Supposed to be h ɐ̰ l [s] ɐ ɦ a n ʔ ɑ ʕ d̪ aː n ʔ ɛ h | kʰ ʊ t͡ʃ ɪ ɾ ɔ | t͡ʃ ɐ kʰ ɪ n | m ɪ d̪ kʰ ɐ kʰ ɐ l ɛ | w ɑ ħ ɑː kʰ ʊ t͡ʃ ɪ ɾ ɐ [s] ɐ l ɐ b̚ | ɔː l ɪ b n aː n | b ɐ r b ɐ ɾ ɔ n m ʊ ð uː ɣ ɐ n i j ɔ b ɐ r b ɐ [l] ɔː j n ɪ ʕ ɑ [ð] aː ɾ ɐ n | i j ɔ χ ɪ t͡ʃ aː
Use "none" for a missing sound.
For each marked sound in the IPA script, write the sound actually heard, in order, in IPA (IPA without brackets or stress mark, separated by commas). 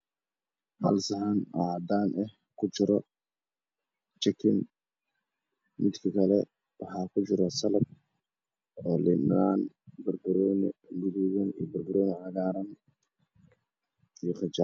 s, s, ɾ, ɣ